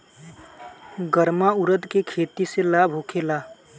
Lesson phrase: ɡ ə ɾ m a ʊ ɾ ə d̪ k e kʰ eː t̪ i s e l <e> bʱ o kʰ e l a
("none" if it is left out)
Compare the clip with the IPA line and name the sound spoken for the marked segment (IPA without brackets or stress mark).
a